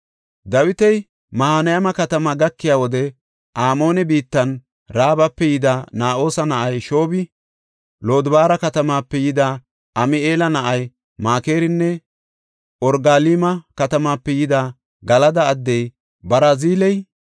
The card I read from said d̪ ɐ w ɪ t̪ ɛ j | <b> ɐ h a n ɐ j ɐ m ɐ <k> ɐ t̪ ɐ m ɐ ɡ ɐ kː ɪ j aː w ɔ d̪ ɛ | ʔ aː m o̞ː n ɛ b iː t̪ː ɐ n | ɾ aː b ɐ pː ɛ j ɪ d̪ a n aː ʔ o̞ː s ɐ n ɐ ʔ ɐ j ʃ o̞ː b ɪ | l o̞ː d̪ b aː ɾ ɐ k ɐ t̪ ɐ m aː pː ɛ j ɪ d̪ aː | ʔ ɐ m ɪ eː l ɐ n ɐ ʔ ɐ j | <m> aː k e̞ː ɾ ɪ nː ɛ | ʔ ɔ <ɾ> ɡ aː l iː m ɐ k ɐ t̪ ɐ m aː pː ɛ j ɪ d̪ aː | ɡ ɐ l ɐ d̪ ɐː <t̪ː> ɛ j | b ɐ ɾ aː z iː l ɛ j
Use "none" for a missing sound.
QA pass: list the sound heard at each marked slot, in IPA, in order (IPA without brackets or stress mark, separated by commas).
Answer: m, k, m, ɾ, d̪ː